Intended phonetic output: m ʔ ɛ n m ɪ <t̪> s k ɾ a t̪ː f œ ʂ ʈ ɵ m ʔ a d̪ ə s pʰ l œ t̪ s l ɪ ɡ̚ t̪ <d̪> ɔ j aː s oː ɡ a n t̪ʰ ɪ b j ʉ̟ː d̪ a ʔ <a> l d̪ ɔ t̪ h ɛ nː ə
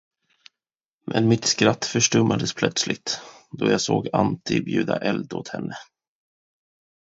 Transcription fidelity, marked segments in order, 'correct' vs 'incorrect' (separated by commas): correct, correct, incorrect